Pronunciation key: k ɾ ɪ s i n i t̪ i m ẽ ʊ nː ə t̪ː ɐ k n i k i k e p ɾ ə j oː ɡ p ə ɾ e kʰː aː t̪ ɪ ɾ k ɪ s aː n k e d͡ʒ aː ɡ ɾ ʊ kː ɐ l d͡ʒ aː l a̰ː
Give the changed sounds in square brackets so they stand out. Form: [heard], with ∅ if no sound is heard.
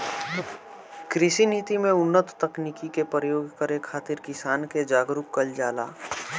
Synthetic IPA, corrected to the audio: k ɾ ɪ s i n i t̪ i m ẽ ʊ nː ə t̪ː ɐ k n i k i k e p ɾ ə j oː ɡ [k] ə ɾ e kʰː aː t̪ ɪ ɾ k ɪ s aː n k e d͡ʒ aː ɡ ɾ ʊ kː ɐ l d͡ʒ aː l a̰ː